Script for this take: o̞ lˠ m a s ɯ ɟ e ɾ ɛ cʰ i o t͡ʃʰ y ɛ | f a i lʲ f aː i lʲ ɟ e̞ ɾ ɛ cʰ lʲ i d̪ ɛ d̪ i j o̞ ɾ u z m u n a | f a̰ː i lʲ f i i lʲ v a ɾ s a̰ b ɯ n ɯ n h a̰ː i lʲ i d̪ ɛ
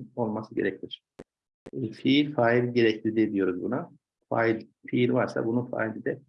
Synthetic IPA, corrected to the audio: o̞ lˠ m a s ɯ ɟ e ɾ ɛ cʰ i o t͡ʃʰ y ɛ | f i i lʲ f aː i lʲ ɟ e̞ ɾ ɛ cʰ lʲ i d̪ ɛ d̪ i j o̞ ɾ u z b u n a | f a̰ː i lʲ f i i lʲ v a ɾ s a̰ b u n u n f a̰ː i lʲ i d̪ ɛ